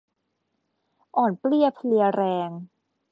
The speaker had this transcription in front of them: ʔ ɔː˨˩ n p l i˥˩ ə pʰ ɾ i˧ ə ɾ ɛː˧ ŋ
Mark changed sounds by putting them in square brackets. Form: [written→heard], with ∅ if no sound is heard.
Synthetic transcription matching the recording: ʔ ɔː˨˩ n p l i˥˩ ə pʰ [ɾ→l] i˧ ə ɾ ɛː˧ ŋ